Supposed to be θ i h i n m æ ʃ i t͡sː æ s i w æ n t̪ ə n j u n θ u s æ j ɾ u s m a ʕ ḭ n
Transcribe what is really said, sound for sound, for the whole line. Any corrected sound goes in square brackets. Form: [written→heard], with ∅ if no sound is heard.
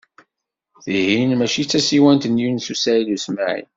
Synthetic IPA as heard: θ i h i n m æ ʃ i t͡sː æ s i w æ n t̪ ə n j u n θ u s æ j [ɾ→l] u s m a ʕ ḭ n